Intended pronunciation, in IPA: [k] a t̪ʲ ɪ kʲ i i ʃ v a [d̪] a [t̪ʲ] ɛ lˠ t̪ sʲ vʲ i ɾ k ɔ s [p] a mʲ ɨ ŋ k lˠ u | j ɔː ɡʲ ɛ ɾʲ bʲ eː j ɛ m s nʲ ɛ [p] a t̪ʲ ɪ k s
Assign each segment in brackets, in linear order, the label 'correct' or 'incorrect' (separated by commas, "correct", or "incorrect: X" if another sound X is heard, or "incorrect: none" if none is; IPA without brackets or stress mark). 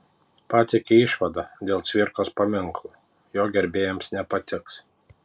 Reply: incorrect: p, correct, incorrect: d̪ʲ, correct, correct